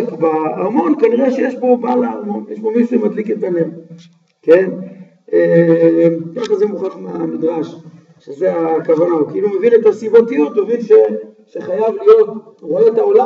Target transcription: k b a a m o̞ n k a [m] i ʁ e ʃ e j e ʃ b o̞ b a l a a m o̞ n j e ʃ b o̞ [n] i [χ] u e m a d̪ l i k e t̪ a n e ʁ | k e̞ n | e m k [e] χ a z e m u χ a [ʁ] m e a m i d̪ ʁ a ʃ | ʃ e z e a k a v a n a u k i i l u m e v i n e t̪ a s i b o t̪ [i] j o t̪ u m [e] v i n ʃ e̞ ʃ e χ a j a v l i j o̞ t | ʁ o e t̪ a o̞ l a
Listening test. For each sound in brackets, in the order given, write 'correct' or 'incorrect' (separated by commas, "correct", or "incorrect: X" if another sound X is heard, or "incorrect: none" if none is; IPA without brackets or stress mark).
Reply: incorrect: n, incorrect: m, incorrect: ʃ, incorrect: a, incorrect: χ, correct, correct